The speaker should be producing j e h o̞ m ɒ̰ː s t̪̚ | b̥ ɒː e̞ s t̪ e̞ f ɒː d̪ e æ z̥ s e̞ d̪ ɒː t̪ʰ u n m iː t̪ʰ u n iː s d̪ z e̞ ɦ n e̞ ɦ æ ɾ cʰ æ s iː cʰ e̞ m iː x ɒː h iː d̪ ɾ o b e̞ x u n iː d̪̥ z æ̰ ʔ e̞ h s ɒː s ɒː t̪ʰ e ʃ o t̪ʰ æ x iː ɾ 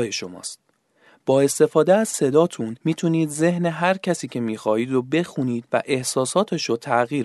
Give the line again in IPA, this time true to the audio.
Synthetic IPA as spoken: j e ʃ o̞ m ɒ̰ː s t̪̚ | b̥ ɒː e̞ s t̪ e̞ f ɒː d̪ e æ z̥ s e̞ d̪ ɒː t̪ʰ u n m iː t̪ʰ u n iː d̪ z e̞ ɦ n e̞ ɦ æ ɾ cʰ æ s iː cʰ e̞ m iː x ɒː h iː d̪ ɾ o b e̞ x u n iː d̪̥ v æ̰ ʔ e̞ h s ɒː s ɒː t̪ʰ e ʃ o t̪ʰ æ ɣ iː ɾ